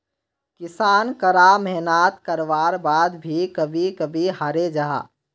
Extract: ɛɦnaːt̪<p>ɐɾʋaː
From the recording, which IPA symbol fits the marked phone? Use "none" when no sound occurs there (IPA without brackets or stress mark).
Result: k